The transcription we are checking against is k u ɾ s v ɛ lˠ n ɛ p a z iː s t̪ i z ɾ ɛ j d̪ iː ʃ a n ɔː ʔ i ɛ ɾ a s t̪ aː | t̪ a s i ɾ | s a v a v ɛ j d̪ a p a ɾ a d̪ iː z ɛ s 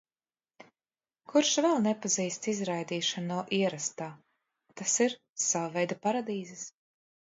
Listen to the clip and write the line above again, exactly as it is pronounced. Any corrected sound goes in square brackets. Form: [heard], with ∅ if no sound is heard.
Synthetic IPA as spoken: k u ɾ [ʃ] v ɛ lˠ n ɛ p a z iː s t̪ i z ɾ [a] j d̪ iː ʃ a n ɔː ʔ i ɛ ɾ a s t̪ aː | t̪ a s i ɾ | s a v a v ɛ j d̪ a p a ɾ a d̪ iː z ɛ s